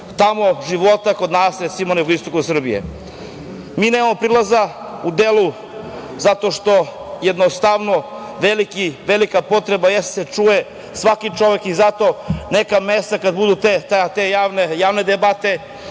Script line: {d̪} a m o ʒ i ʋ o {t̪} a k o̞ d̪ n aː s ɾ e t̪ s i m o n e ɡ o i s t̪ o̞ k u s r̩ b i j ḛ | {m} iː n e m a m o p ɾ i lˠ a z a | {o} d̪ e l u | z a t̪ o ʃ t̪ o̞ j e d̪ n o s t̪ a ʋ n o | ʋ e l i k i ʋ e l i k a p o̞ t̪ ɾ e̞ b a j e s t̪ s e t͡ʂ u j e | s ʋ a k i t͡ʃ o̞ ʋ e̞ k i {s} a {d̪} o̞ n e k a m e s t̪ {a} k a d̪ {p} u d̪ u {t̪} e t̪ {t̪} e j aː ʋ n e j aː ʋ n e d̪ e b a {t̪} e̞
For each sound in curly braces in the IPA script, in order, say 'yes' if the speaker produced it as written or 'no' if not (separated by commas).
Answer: no, yes, yes, no, no, no, yes, no, yes, yes, yes